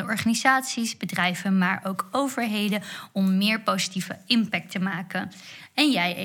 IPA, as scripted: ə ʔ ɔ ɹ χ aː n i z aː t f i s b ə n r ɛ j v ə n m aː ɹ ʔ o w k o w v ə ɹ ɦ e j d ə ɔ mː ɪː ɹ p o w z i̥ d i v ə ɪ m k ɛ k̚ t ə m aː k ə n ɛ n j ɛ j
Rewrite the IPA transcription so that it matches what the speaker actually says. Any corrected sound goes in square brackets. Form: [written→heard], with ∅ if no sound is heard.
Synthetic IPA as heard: ə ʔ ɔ ɹ χ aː n i z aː t [f→s] i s b ə [n→d] r ɛ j v ə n m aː ɹ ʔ o w k o w v ə ɹ ɦ e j d ə ɔ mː ɪː ɹ p o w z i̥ [d→t] i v ə ɪ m [k→p] ɛ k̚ t ə m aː k ə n ɛ n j ɛ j